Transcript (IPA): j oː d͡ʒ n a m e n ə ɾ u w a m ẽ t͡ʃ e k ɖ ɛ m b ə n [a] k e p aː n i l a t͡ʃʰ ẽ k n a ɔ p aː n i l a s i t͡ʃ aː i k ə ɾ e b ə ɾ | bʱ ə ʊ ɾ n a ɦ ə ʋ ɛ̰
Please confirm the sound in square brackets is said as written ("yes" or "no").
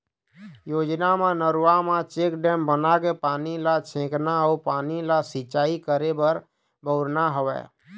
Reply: yes